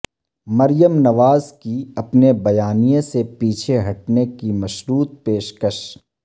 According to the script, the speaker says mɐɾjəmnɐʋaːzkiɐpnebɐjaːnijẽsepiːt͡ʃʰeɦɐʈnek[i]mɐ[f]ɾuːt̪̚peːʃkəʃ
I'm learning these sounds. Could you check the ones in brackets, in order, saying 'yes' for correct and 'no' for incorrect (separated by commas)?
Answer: yes, no